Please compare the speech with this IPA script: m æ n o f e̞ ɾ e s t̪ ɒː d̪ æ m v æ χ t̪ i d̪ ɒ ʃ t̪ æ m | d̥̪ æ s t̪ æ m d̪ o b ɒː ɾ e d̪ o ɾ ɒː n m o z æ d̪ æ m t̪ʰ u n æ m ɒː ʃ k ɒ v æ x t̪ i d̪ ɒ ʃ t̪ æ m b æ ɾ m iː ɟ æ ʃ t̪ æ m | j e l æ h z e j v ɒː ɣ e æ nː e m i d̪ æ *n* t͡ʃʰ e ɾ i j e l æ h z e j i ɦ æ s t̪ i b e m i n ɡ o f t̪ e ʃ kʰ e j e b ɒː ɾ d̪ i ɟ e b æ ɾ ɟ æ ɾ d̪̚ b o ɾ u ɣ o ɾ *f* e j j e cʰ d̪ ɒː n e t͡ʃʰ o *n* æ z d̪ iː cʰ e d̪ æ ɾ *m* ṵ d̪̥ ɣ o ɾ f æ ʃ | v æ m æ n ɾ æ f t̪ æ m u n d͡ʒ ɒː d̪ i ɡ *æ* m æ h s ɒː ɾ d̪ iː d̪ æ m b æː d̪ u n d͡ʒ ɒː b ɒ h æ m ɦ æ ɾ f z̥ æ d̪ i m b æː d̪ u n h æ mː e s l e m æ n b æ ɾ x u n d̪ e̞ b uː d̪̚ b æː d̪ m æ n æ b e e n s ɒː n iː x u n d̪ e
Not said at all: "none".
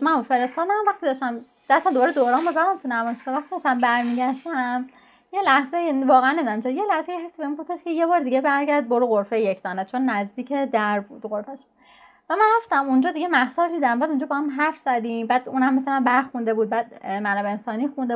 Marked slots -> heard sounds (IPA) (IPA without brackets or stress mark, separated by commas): m, f, nː, b, e